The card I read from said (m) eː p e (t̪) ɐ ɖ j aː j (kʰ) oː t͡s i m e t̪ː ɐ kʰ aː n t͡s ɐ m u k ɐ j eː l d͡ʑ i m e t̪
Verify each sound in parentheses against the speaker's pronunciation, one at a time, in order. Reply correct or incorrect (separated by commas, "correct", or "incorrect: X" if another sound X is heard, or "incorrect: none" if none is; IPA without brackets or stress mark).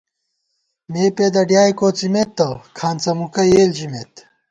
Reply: correct, incorrect: d̪, incorrect: k